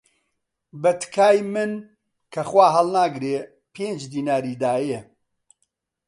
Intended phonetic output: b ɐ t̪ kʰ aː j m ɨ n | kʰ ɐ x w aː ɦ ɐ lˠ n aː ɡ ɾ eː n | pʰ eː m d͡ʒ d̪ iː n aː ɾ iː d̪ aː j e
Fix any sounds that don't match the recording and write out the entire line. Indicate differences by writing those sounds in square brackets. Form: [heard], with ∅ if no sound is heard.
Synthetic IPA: b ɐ t̪ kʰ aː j m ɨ n | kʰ ɐ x w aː ɦ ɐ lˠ n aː ɡ ɾ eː [∅] | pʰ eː [n] d͡ʒ d̪ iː n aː ɾ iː d̪ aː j e